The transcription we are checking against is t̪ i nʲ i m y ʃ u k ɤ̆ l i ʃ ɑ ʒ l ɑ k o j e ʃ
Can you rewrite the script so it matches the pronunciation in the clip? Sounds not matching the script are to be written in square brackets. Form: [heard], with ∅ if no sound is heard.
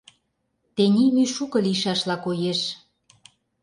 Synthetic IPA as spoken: t̪ [e] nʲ i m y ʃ u k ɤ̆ l i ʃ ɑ [ʃ] l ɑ k o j e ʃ